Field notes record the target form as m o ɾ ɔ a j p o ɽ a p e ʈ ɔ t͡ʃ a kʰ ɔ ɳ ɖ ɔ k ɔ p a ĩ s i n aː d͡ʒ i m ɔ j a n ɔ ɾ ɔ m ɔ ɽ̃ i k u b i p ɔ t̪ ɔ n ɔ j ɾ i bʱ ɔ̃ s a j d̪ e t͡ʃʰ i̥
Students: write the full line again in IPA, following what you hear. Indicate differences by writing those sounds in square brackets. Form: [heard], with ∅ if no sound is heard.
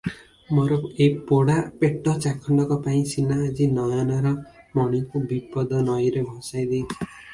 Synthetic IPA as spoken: m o ɾ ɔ [e] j p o ɽ a p e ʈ ɔ t͡ʃ a kʰ ɔ ɳ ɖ ɔ k ɔ p a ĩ s i n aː d͡ʒ i [n] ɔ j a n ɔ ɾ ɔ m ɔ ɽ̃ i k u b i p ɔ [d̪] ɔ n ɔ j ɾ [e] bʱ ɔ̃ s a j d̪ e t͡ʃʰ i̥